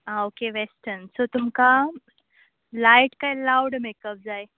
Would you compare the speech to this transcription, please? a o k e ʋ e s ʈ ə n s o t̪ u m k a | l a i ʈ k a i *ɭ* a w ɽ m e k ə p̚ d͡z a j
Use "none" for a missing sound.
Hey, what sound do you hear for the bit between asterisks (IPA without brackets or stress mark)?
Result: l